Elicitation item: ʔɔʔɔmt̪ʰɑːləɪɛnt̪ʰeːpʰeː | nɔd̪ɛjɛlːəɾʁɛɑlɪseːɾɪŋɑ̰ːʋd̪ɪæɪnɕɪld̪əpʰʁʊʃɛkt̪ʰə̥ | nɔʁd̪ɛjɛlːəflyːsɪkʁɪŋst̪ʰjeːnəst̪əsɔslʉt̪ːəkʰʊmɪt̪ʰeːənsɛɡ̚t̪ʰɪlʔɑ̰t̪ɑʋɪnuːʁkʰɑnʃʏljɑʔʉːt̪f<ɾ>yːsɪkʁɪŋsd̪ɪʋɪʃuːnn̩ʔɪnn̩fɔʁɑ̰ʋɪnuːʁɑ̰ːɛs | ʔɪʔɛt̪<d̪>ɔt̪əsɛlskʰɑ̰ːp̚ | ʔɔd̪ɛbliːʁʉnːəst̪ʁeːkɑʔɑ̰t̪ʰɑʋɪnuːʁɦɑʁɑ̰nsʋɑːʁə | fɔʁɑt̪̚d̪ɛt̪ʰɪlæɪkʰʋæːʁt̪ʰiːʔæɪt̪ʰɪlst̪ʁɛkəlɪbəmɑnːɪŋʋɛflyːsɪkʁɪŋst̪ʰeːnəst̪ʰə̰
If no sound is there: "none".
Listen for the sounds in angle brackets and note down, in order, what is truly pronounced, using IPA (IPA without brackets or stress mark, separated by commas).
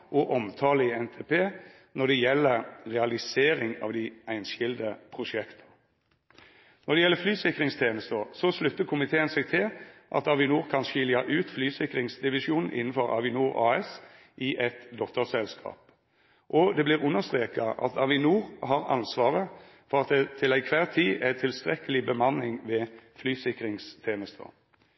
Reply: l, d̪